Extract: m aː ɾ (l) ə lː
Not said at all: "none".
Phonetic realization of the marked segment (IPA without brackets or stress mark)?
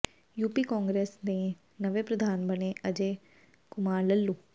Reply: l